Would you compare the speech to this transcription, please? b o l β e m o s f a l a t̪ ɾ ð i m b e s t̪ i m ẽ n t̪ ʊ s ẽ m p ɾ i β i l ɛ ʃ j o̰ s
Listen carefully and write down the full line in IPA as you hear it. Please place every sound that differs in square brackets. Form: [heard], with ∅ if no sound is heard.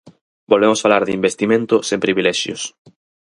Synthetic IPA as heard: b o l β e m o s f a l a [∅] ɾ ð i m b e s t̪ i m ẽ n t̪ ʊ s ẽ m p ɾ i β i l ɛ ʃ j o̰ s